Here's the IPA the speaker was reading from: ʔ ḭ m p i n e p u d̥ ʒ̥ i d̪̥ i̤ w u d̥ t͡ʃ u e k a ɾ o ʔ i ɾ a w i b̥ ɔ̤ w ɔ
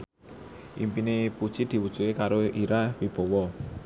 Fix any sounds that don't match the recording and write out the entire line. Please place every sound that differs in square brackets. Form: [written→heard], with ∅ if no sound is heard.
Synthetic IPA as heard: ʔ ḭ m p i n e p u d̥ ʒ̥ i d̪̥ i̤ w u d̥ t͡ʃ u e k a ɾ o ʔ i ɾ a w i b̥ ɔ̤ w ɔ